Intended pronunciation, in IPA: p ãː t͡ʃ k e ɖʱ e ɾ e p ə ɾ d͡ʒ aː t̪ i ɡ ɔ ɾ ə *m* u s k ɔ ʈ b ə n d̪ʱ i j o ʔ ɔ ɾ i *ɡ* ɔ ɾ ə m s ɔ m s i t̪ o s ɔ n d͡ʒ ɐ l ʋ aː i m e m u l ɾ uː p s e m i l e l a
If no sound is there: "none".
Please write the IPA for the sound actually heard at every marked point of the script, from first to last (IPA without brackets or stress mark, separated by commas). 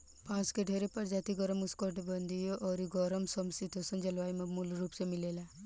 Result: m, ɡ